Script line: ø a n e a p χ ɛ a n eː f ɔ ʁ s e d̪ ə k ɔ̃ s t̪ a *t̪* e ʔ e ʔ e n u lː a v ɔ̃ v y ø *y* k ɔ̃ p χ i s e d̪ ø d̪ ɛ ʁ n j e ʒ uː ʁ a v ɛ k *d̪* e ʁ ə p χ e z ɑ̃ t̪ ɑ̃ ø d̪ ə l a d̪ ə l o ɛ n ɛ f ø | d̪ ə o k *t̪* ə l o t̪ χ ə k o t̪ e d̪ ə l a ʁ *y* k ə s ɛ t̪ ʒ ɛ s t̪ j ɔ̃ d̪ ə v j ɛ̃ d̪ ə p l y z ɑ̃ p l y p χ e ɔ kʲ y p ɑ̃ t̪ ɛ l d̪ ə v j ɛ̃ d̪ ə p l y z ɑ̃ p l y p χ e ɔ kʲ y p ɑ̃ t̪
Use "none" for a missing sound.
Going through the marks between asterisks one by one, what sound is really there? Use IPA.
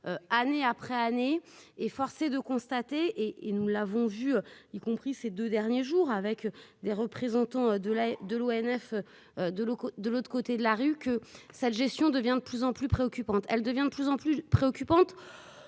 t̪, i, d̪, d̪, y

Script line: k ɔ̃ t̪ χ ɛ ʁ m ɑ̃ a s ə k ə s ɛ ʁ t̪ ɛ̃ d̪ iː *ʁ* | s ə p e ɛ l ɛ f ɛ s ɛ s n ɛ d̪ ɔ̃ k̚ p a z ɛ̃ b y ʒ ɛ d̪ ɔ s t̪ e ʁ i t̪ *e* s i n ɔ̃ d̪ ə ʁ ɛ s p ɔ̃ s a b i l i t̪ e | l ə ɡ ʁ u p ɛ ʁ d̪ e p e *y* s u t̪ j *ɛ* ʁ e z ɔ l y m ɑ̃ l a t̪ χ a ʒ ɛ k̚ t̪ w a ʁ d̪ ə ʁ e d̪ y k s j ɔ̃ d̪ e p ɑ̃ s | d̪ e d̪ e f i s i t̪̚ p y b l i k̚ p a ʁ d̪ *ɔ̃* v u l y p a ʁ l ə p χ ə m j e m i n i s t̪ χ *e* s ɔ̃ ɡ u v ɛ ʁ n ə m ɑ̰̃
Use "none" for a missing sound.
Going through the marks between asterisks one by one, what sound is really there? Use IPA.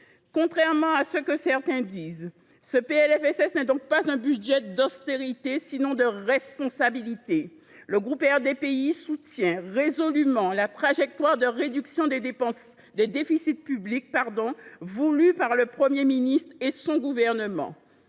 z, e, i, ɛ̃, ɔ̃, e

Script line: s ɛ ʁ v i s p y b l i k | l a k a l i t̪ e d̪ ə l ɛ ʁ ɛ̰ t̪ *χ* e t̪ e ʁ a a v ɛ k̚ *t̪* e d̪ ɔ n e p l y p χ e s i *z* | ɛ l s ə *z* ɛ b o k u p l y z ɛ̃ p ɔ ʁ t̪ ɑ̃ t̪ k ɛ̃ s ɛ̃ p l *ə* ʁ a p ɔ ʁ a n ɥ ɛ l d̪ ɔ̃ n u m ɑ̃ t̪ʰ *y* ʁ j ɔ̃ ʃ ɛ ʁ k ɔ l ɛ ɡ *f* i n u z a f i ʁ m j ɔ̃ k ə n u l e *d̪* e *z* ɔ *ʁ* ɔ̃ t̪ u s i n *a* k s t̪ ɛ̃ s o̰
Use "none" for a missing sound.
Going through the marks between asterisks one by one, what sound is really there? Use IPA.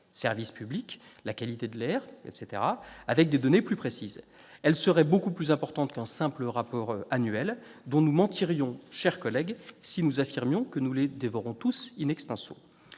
s, d̪, z, ʁ, ə, i, s, d̪, v, ʁ, ɛ

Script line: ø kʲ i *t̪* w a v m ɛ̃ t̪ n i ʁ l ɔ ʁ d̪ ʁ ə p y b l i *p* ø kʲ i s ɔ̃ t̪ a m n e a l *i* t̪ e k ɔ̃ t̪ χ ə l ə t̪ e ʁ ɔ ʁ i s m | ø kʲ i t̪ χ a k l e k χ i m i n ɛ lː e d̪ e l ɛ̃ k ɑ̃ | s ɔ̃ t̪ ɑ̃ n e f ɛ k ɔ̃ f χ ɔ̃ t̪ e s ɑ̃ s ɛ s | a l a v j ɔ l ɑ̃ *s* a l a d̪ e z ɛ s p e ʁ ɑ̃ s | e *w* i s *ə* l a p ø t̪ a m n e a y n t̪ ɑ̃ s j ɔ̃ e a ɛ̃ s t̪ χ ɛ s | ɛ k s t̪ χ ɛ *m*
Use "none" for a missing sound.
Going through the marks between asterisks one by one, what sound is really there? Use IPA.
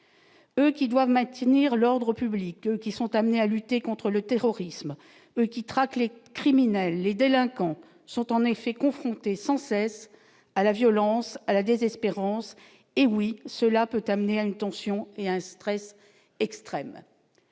d̪, k, y, s, w, ə, m

